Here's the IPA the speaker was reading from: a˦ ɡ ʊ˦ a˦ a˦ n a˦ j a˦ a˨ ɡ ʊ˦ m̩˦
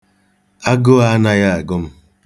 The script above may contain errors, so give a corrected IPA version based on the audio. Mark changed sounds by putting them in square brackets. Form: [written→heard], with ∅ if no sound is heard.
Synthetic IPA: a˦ ɡ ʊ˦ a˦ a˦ n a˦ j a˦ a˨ ɡ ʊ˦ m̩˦